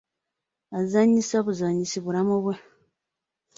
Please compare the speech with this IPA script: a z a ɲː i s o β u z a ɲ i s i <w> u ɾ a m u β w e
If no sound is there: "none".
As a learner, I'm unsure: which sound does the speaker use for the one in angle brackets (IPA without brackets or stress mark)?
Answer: β